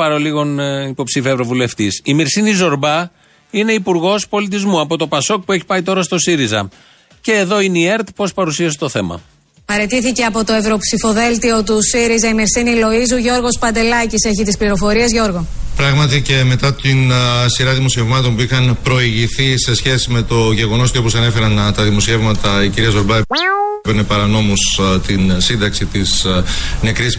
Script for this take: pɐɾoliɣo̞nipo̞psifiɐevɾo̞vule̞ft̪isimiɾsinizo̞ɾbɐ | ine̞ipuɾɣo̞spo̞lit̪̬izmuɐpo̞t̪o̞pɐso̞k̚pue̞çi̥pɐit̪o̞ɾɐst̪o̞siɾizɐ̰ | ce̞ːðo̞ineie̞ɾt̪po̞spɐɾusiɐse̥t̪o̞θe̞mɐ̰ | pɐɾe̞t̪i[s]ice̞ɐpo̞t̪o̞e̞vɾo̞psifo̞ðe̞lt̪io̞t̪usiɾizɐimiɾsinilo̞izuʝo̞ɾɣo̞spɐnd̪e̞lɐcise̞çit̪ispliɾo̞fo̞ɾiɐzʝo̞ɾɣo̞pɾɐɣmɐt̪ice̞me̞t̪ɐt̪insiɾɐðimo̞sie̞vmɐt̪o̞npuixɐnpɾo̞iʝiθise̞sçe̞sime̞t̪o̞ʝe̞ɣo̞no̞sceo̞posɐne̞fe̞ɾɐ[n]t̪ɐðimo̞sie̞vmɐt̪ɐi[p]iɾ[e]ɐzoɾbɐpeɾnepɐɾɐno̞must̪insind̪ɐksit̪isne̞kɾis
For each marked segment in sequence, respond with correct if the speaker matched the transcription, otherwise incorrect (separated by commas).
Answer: incorrect, correct, incorrect, incorrect